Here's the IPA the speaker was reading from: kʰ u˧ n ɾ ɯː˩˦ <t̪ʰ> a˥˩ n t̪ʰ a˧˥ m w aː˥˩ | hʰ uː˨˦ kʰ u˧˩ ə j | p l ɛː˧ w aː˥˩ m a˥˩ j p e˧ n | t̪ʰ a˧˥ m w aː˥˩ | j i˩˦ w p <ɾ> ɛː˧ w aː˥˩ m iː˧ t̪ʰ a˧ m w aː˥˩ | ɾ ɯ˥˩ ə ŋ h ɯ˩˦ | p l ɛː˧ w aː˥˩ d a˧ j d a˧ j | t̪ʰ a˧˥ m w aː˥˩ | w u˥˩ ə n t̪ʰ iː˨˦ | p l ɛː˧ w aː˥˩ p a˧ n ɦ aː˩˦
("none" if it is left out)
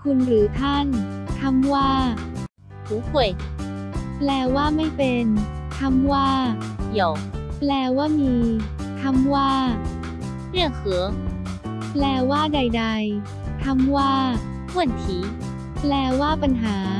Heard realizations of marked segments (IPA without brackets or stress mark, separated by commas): t̪ʰ, l